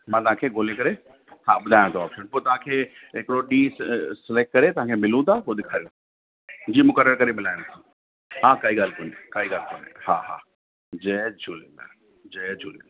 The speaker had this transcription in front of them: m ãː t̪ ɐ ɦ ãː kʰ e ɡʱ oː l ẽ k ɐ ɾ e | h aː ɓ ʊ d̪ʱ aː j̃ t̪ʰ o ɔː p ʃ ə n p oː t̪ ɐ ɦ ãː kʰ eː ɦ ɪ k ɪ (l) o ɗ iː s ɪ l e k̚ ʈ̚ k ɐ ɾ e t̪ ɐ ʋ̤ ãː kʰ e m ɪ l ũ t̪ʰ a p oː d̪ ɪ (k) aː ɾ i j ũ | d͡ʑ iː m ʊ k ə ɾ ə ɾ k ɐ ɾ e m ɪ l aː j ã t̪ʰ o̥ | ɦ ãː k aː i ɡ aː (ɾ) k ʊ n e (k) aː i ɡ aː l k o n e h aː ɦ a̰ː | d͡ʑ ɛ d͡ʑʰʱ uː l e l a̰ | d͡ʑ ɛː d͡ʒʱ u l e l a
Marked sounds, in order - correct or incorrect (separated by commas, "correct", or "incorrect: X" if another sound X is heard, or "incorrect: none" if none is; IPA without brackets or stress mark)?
incorrect: ɽ, incorrect: kʰ, incorrect: l, correct